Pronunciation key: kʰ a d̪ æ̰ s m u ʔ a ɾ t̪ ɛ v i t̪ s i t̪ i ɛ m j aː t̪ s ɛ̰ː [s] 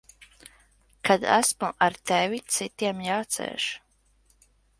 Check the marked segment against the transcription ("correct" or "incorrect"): incorrect